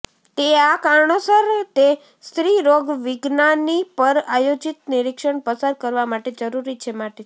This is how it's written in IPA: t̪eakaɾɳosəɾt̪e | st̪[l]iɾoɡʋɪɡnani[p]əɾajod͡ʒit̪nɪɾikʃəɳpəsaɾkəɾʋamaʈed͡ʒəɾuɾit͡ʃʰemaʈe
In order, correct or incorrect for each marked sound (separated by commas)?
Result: incorrect, correct